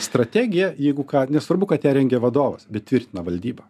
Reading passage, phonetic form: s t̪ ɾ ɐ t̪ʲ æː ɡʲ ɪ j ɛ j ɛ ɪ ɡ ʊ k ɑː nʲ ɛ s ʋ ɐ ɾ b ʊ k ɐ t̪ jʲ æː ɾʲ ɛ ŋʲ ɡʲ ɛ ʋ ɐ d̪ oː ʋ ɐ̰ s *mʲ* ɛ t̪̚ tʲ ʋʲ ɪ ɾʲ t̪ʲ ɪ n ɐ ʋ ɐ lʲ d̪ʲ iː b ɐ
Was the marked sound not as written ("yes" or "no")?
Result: yes